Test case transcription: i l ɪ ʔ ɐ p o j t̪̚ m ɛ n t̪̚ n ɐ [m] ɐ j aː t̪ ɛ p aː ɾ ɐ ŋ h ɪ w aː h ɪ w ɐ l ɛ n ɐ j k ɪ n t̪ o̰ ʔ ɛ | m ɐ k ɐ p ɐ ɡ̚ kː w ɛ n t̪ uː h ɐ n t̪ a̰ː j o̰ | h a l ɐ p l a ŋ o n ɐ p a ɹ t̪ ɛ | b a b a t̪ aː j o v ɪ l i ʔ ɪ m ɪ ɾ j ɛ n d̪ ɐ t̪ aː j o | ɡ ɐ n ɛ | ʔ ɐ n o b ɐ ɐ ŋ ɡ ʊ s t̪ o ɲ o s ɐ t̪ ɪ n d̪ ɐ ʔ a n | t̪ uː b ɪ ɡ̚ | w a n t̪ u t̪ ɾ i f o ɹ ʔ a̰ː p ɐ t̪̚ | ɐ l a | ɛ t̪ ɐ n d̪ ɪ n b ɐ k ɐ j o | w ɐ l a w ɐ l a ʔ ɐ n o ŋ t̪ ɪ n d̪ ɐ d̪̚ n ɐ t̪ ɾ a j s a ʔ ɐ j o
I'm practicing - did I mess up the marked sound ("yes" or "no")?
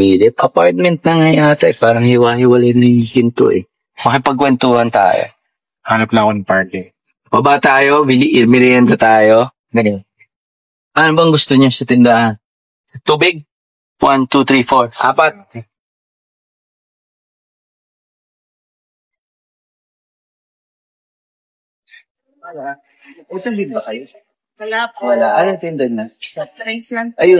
yes